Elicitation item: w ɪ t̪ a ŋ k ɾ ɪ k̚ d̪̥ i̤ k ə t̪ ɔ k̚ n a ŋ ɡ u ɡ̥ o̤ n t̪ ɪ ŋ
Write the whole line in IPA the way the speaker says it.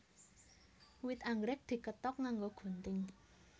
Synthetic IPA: w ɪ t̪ a ŋ ɡ ɾ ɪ k̚ d̪̥ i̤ k ə t̪ ɔ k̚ ŋ a ŋ ɡ o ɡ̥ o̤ n t̪ ɪ ŋ